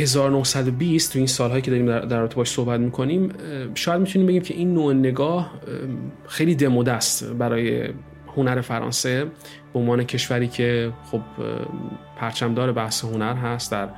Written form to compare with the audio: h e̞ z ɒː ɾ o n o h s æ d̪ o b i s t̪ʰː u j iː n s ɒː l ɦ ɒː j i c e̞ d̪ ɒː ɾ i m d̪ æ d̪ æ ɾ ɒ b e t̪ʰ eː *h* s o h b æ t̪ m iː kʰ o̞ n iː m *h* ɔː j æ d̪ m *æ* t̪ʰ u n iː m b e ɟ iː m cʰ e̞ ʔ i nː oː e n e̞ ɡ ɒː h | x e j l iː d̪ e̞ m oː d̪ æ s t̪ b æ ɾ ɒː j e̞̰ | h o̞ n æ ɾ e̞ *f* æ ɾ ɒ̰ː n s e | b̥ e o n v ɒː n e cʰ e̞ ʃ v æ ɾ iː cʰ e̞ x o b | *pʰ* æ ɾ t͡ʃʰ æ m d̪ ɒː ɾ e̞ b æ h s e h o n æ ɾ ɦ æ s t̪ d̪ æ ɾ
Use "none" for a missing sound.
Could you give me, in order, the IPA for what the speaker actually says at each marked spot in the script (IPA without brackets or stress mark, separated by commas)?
ʃ, ʃ, i, f, pʰ